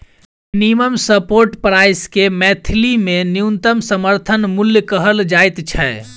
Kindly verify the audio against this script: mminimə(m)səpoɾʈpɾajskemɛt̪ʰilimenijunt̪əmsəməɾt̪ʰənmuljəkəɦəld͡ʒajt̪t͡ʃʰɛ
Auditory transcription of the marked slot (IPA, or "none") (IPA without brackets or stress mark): m